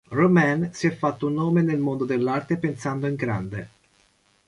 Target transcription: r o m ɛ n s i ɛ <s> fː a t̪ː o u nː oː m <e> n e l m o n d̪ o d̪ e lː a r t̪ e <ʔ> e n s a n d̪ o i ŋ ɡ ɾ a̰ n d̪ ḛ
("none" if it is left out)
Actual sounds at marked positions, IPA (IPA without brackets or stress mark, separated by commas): none, e, p